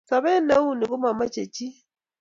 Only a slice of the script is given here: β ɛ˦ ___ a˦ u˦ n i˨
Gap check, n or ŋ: n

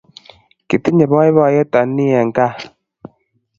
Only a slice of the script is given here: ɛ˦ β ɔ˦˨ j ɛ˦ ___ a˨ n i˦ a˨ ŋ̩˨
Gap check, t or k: t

